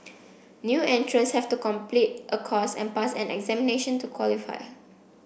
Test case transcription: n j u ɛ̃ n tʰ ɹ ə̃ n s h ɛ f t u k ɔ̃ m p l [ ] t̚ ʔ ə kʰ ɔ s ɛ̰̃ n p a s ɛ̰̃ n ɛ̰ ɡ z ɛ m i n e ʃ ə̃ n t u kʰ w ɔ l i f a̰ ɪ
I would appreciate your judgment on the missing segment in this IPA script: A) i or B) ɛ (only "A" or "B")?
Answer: A